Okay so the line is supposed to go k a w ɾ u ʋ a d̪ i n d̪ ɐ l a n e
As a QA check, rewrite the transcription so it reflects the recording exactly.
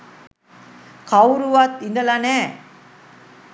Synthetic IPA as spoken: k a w ɾ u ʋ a t̪ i n d̪ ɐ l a n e

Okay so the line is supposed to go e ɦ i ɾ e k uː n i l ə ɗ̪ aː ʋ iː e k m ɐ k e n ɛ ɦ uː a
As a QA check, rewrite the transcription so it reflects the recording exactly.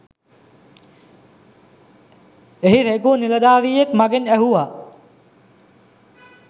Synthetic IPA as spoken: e ɦ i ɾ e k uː n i l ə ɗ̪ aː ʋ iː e k m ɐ ɡ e n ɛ ɦ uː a

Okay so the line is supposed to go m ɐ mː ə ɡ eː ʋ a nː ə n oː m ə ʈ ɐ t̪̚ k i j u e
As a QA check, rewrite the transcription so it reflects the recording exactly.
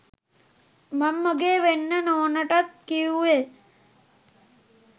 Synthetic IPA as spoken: m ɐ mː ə ɡ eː ʋ e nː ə n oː n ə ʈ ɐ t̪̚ k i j u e

